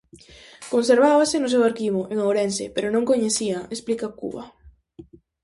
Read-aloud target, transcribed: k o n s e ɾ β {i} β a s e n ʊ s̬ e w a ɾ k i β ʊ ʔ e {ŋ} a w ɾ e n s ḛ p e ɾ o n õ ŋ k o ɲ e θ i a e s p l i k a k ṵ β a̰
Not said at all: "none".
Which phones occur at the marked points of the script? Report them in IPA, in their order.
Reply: a, ŋ

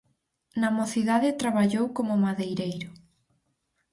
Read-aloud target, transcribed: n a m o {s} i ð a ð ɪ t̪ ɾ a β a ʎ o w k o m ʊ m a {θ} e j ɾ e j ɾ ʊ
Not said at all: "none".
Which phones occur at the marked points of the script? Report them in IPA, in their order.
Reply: θ, ð

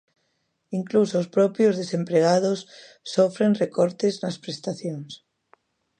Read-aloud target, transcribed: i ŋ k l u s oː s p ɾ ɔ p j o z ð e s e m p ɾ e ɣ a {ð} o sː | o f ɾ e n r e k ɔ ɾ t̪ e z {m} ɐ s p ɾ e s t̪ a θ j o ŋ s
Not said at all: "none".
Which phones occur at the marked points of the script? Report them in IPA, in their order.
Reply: ð, n

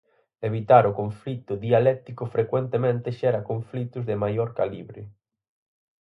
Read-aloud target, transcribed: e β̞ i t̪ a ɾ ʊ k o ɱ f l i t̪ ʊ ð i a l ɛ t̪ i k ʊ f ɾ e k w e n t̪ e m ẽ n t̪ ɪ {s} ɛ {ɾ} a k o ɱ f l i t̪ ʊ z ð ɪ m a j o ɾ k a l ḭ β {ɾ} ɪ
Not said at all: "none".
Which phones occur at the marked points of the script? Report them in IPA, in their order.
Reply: ʃ, ɾ, ɾ

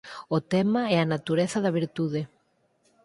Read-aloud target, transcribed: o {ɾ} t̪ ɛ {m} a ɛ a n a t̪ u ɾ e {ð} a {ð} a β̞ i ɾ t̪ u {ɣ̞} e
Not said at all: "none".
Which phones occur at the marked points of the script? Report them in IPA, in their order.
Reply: none, m, θ, ð, ð̞

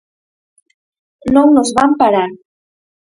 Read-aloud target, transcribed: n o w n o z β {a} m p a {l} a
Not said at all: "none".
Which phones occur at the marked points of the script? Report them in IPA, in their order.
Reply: a, ɾ

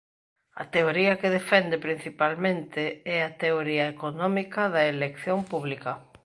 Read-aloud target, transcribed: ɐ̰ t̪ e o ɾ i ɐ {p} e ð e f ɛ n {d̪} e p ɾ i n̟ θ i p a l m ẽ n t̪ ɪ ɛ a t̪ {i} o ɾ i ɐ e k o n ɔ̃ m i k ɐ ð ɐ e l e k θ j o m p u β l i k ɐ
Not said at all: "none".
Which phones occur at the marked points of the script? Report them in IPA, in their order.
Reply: k, d̪, e

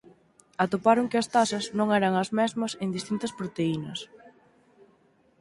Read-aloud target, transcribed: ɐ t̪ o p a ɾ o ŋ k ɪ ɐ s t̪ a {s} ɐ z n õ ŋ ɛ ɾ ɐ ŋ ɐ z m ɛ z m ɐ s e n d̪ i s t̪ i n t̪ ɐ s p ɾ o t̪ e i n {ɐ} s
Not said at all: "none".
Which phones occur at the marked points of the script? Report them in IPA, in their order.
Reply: s, ɐ

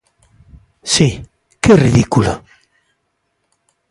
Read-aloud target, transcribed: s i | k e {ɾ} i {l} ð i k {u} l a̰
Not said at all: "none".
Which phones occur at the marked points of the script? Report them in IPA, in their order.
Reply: r, none, u

